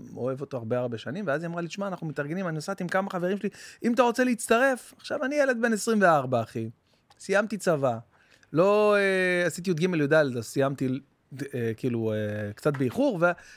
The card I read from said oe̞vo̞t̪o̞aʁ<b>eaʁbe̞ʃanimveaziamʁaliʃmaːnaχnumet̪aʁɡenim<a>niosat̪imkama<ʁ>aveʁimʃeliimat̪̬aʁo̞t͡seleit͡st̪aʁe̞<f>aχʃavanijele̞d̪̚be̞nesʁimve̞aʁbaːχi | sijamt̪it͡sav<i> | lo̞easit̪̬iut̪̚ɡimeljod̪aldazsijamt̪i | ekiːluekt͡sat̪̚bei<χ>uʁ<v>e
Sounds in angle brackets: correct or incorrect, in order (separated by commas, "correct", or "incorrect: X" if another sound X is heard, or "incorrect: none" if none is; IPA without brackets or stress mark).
correct, correct, incorrect: χ, correct, incorrect: a, correct, correct